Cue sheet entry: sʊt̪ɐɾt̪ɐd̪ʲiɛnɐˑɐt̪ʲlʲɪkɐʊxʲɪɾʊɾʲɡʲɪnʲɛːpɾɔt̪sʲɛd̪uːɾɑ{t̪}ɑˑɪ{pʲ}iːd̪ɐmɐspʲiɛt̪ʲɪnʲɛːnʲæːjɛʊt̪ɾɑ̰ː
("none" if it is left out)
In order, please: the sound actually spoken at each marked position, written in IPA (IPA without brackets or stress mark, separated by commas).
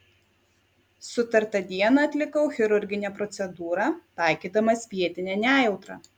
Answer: t̪, kʲ